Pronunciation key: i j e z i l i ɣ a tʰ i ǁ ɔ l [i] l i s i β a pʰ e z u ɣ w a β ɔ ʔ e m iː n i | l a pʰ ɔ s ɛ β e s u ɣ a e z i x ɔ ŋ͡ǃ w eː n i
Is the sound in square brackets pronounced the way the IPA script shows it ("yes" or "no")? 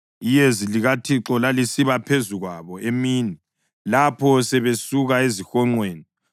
no